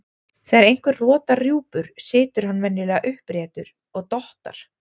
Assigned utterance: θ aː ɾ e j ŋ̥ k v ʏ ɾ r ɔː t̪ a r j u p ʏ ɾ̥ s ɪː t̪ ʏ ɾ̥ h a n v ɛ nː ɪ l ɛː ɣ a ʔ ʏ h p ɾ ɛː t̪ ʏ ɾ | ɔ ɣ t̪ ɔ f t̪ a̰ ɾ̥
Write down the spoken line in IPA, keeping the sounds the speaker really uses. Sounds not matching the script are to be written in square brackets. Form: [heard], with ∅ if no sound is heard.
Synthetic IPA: θ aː ɾ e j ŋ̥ k v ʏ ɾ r ɔː t̪ a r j [uː] p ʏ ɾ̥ s ɪː t̪ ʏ ɾ̥ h a n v ɛ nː ɪ l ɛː ɣ a ʔ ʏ h p ɾ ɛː t̪ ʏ ɾ | ɔ ɣ t̪ ɔ [h] t̪ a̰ ɾ̥

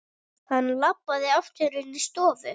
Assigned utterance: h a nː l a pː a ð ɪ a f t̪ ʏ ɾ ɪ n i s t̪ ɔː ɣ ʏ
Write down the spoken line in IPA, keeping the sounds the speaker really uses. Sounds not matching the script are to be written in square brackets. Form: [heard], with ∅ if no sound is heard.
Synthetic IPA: h a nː l a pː a ð ɪ a f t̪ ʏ ɾ ɪ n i s t̪ ɔː [v] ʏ

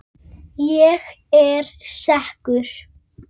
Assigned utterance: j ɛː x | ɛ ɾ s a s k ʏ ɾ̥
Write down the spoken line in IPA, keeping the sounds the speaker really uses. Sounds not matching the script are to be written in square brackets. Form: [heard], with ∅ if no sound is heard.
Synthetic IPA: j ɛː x | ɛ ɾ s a [h] k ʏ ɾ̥

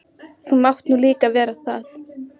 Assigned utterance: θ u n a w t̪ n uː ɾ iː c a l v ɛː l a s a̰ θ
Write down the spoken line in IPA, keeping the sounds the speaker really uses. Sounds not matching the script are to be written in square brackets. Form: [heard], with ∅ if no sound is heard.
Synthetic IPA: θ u [m] a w t̪ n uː [l] iː [k] a [∅] v ɛː [ɾ] a [θ] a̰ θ

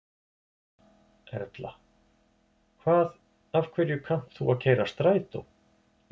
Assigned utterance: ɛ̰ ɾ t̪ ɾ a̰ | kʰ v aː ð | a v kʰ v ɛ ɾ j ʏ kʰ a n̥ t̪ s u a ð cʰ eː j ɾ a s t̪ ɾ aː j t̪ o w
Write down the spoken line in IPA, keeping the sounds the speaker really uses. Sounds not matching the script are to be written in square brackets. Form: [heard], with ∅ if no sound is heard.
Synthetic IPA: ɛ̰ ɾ t̪ [l] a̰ | kʰ v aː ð | a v kʰ v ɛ ɾ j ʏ kʰ a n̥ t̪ [θ] u a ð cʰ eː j ɾ a s t̪ ɾ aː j t̪ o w

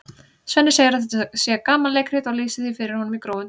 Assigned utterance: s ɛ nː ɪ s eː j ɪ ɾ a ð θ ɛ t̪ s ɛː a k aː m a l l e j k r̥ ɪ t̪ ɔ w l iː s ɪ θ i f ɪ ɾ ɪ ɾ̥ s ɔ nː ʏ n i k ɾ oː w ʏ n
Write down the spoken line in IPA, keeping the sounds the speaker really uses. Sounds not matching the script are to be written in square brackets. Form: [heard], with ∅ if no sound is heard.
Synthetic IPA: s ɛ nː ɪ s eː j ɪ ɾ a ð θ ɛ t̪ s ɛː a k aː m a l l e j k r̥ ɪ t̪ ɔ [ɣ] l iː s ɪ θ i f ɪ ɾ ɪ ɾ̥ [h] ɔ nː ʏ [m] i k ɾ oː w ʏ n

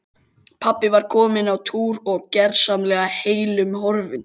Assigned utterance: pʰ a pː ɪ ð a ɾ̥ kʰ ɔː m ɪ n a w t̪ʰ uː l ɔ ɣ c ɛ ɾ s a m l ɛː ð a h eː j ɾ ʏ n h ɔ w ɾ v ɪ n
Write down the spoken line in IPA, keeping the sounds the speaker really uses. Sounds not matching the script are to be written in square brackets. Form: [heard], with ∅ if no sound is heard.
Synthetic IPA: pʰ a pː ɪ [v] a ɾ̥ kʰ ɔː m ɪ n a w t̪ʰ uː [ɾ] ɔ ɣ c ɛ ɾ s a m l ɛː [ɣ] a h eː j [l] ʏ [m] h ɔ [∅] ɾ v ɪ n

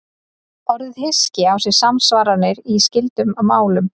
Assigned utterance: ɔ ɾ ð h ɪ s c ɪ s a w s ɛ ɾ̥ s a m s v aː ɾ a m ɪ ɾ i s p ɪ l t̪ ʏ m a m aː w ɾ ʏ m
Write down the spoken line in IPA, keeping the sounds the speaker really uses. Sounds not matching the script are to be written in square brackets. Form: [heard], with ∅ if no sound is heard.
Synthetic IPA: ɔ ɾ ð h ɪ s c ɪ [∅] a w s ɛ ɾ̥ s a m s v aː ɾ a [n] ɪ ɾ i s [c] ɪ l t̪ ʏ m a m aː w [l] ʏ m

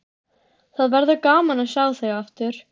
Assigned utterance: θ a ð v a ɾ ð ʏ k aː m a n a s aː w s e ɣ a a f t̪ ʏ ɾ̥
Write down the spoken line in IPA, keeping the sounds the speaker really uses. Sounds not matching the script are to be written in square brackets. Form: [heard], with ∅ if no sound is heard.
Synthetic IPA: θ a ð v [ɛ] ɾ ð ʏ k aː m a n a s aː w [θ] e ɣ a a f t̪ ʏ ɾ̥

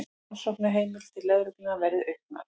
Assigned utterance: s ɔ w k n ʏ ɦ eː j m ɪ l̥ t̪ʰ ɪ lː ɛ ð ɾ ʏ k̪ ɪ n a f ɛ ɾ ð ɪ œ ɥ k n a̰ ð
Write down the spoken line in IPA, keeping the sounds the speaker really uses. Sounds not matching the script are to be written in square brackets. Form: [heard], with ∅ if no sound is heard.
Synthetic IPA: s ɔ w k n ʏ ɦ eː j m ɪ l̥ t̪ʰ ɪ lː ɛ ð ɾ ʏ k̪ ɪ n a [v] ɛ ɾ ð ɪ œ ɥ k n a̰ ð

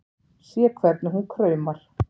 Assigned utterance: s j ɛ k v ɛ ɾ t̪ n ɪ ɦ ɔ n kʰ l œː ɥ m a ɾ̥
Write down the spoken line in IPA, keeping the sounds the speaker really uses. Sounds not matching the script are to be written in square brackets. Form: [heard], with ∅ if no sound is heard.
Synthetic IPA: s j ɛ [kʰ] v ɛ ɾ t̪ n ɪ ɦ [u] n kʰ [ɾ] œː ɥ m a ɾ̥

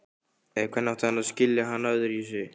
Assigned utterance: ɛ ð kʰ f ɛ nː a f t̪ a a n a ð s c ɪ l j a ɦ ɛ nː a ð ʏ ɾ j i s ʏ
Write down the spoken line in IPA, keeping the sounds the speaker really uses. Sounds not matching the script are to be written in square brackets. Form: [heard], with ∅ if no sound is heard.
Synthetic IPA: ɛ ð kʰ [v] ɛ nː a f t̪ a a n a ð s c ɪ l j a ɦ [a] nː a ð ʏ ɾ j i s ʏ

